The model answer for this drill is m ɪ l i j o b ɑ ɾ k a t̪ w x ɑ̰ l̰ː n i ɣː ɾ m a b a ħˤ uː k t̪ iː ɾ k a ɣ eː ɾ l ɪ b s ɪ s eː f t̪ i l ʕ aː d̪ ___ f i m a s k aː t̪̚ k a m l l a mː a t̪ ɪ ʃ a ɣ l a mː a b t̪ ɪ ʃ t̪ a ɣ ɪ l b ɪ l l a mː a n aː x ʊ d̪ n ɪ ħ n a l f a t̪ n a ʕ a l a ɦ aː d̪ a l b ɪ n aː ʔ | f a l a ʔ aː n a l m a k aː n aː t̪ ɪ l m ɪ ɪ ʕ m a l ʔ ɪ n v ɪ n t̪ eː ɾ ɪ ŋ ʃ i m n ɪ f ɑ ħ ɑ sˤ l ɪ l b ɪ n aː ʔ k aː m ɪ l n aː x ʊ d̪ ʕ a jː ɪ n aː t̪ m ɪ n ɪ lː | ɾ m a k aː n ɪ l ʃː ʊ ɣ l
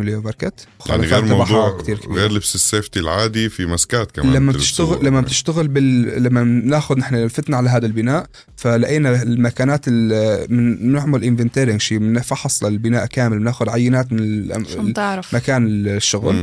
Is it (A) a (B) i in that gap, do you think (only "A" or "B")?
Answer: B